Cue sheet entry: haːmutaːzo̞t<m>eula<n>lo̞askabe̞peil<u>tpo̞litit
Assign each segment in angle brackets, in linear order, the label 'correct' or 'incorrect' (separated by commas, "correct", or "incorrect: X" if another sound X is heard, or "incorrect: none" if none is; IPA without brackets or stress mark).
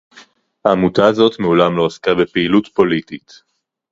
correct, incorrect: m, correct